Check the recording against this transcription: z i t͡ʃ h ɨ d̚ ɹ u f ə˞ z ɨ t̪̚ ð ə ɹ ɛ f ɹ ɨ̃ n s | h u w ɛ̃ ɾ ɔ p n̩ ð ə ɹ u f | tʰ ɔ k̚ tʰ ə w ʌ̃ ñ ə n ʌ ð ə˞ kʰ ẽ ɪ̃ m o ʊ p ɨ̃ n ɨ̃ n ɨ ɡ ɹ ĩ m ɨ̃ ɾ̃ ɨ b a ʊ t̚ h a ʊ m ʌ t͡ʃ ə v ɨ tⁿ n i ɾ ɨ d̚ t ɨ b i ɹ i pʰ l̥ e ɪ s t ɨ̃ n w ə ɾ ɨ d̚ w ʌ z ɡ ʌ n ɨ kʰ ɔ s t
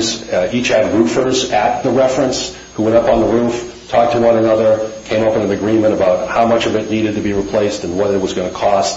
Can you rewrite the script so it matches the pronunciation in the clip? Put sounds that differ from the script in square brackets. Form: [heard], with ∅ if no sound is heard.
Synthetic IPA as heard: z i t͡ʃ h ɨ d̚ ɹ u f ə˞ z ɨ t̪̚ ð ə ɹ ɛ f ɹ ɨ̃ n s | h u w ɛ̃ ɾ [ʌ] p n̩ ð ə ɹ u f | tʰ ɔ k̚ tʰ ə w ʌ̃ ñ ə n ʌ ð ə˞ kʰ ẽ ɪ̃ m o ʊ p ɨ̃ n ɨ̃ n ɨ ɡ ɹ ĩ m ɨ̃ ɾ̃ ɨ b a ʊ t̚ h a ʊ m ʌ t͡ʃ [ʌ] v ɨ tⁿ n i ɾ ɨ d̚ t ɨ b i ɹ i pʰ l̥ e ɪ s t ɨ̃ n w [ʌ] ɾ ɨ [t̚] w ʌ z ɡ ʌ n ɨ kʰ ɔ s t

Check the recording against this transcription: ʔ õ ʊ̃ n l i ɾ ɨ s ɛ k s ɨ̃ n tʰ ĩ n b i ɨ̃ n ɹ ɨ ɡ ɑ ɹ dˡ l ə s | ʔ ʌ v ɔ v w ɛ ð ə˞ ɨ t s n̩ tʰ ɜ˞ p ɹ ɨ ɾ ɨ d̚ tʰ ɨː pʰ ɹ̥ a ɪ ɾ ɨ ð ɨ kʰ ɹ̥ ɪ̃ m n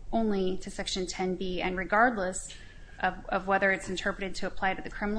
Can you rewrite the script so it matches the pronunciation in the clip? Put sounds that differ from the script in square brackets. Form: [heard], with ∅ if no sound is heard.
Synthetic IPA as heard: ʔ õ ʊ̃ n l i ɾ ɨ s ɛ k [ʃ] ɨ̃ n tʰ [ɛ̃] n b i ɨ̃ n ɹ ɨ ɡ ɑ ɹ dˡ l ə s | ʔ ʌ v [ʌ] v w ɛ ð ə˞ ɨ t s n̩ tʰ ɜ˞ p ɹ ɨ ɾ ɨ d̚ tʰ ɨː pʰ [l̥] a ɪ ɾ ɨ ð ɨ kʰ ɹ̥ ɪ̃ m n

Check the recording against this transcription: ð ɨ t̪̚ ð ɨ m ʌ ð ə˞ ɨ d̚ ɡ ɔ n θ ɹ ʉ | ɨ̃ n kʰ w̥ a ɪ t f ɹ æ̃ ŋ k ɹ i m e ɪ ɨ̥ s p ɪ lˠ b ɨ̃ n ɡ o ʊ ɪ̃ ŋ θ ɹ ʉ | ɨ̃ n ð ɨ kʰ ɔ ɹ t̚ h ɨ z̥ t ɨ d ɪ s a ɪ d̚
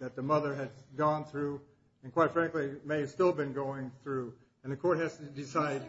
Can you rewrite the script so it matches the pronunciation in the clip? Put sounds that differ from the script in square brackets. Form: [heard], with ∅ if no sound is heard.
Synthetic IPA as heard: ð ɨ t̪̚ ð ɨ m ʌ ð ə˞ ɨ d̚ ɡ [ɔ̃] n θ ɹ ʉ | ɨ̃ n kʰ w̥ a ɪ t f ɹ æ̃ ŋ k [l] i m e ɪ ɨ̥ s [t] ɪ lˠ b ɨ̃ n ɡ o ʊ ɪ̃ ŋ θ ɹ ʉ | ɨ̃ n ð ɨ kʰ ɔ ɹ t̚ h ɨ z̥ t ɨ d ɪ s a ɪ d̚

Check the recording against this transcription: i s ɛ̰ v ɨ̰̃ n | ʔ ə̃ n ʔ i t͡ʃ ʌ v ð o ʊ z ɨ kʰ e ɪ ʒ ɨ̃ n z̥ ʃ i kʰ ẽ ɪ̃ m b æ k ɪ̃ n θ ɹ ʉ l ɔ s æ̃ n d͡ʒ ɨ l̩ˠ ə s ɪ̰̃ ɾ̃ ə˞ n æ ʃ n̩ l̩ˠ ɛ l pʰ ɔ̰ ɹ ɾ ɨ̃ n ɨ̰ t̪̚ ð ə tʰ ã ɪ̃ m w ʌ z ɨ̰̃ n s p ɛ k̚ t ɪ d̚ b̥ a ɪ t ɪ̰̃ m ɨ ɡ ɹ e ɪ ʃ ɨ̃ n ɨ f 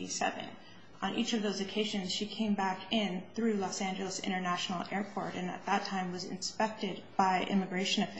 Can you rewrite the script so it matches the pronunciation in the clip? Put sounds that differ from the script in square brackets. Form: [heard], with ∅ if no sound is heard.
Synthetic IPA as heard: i s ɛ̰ v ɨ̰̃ n | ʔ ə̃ n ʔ i t͡ʃ ʌ v ð o ʊ z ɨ kʰ e ɪ ʒ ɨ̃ n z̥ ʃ i kʰ ẽ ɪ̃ m b æ k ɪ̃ n θ ɹ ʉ l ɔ s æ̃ n d͡ʒ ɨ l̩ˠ ə s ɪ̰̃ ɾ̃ ə˞ n æ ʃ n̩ l̩ˠ ɛ [ɹ] pʰ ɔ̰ ɹ ɾ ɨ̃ n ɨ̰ t̪̚ ð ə tʰ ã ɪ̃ m w ʌ z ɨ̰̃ n s p ɛ k̚ t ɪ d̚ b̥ a ɪ [ʔ] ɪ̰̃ m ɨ ɡ ɹ e ɪ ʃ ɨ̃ n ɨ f

